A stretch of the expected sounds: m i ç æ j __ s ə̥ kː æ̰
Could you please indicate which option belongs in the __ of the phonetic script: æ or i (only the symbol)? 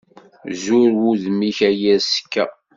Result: æ